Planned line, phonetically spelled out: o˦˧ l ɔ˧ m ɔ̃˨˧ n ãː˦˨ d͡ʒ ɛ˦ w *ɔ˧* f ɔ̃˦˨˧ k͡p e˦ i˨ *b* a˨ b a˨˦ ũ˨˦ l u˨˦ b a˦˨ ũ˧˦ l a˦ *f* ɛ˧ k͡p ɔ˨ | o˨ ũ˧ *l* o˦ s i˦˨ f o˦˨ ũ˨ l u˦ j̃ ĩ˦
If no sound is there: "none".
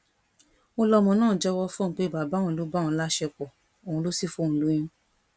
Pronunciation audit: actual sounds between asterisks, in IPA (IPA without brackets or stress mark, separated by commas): ɔ˧, b, ʃ, l